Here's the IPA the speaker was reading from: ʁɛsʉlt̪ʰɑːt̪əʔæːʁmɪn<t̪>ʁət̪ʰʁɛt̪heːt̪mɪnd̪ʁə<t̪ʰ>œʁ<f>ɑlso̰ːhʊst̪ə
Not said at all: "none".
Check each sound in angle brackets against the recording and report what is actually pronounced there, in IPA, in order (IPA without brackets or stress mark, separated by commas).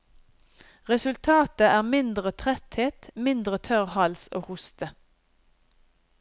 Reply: d̪, t̪ʰ, h